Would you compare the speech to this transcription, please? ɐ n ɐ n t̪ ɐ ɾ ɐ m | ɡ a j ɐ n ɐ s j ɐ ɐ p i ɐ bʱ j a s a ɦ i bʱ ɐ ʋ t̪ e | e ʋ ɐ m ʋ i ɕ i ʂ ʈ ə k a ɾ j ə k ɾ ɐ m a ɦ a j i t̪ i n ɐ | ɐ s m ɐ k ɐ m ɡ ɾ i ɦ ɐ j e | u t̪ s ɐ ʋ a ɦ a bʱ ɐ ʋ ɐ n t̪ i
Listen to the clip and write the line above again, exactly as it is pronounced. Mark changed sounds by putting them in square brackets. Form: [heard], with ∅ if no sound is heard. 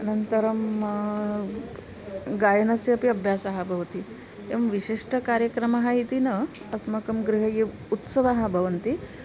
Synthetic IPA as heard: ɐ n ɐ n t̪ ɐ ɾ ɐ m | ɡ a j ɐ n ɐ s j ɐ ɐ p i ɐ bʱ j a s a ɦ [a] bʱ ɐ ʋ t̪ [i] | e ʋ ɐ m ʋ i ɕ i ʂ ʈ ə k a ɾ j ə k ɾ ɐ m a ɦ a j i t̪ i n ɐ | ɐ s m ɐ k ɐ m ɡ ɾ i ɦ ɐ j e | u t̪ s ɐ ʋ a ɦ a bʱ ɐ ʋ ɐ n t̪ i